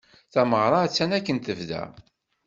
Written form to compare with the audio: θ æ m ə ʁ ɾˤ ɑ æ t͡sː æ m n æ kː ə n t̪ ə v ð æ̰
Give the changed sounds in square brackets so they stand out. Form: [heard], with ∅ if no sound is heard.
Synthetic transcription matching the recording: θ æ m ə ʁ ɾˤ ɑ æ t͡sː æ [∅] n æ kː ə n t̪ ə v ð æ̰